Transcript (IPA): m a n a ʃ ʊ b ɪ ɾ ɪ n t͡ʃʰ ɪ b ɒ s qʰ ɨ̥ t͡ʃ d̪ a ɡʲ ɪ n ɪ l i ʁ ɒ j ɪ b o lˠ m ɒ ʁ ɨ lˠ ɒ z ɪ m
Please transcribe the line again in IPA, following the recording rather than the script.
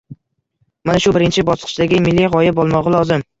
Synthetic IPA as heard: m a n a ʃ ʊ b ɪ ɾ ɪ n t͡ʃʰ ɪ b ɒ s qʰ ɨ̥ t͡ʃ d̪ a ɡʲ ɪ m ɪ lː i ʁ ɒ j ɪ b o lˠ m ɒ ʁ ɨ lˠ ɒ z ɪ m